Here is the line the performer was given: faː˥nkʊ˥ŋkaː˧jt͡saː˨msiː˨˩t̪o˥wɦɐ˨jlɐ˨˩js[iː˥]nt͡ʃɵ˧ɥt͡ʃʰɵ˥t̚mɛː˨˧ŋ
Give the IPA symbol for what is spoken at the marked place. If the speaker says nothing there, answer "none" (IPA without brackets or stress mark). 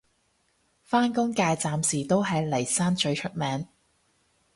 aː˥